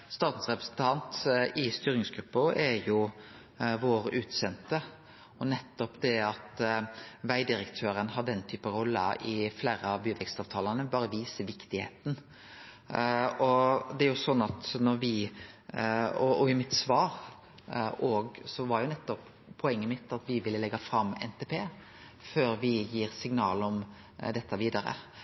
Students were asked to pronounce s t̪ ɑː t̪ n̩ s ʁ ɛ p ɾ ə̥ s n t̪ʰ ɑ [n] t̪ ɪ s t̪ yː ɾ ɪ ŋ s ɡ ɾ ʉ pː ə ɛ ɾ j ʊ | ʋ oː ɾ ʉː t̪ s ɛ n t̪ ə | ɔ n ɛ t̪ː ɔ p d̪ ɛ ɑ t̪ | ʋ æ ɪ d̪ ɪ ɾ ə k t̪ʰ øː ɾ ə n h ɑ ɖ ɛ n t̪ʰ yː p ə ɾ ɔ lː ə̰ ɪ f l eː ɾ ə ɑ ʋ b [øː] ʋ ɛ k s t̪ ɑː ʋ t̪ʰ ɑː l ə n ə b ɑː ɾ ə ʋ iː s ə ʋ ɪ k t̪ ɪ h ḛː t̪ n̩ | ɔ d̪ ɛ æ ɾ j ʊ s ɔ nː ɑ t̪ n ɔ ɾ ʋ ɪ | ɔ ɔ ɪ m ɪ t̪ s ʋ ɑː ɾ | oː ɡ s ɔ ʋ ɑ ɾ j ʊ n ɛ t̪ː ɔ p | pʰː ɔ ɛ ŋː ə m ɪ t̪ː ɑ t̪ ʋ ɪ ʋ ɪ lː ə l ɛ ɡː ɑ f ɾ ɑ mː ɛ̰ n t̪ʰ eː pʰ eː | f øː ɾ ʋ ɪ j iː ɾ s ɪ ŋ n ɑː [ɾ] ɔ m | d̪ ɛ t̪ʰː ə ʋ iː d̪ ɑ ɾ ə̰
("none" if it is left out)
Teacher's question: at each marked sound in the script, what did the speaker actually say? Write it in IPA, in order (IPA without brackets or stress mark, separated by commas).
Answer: n, yː, l